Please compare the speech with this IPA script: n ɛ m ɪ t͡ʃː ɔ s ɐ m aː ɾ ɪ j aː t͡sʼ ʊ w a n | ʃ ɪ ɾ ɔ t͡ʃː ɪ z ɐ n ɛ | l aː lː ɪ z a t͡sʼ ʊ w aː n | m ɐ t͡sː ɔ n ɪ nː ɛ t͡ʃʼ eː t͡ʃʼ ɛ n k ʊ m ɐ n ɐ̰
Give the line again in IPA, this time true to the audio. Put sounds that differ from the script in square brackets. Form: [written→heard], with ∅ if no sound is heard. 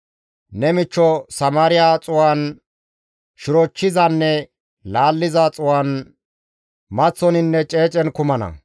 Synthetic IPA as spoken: n ɛ m ɪ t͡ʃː ɔ s ɐ m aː ɾ ɪ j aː t͡sʼ ʊ w a n | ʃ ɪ ɾ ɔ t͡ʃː ɪ z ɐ [n→nː] ɛ | l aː lː ɪ z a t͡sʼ ʊ w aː n | m ɐ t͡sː ɔ n ɪ nː ɛ t͡ʃʼ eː t͡ʃʼ ɛ n k ʊ m ɐ n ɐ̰